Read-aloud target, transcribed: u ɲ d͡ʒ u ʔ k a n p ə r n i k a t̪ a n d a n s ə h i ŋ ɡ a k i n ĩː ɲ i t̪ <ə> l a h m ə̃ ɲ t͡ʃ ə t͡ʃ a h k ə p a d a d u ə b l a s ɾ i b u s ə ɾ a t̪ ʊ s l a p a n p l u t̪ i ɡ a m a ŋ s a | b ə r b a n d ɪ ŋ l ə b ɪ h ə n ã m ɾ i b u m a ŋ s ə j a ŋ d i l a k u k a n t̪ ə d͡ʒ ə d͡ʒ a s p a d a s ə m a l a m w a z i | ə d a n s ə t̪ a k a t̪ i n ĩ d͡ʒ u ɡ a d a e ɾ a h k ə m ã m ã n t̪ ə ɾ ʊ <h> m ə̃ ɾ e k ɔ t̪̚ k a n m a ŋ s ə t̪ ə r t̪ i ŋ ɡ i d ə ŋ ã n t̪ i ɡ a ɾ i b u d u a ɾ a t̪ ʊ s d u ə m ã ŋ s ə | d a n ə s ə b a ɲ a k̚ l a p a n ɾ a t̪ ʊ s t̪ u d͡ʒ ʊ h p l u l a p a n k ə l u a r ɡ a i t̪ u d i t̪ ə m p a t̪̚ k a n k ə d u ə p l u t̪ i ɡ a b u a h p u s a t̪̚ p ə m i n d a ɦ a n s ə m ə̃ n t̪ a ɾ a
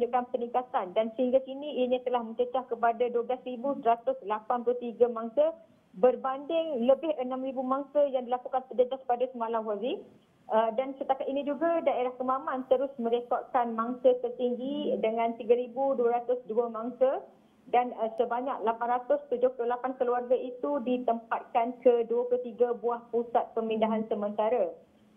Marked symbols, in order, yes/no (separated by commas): yes, no